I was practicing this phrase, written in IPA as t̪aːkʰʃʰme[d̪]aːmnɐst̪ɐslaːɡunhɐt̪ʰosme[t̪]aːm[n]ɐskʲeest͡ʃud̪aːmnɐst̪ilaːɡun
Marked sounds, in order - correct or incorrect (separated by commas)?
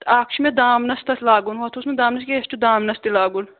correct, incorrect, correct